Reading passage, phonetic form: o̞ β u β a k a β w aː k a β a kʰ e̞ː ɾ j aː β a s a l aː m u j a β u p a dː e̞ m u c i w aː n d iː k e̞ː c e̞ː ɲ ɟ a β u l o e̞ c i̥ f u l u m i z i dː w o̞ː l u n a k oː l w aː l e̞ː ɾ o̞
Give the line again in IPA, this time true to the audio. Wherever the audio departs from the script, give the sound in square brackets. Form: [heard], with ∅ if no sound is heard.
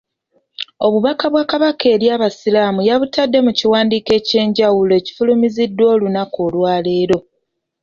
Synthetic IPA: o̞ β u β a k a β w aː k a β a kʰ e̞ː ɾ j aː β a s [i] l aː m u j a β u [t] a dː e̞ m u c i w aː n d iː k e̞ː c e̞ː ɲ ɟ a [w] u l o e̞ c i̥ f u l u m i z i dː w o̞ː l u n a k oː l w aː l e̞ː ɾ o̞